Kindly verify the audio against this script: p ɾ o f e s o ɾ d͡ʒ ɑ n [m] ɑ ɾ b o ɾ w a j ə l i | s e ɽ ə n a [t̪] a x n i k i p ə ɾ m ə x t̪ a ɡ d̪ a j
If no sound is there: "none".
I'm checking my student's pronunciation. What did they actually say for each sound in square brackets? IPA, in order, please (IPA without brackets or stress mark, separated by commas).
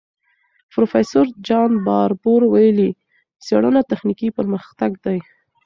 b, t̪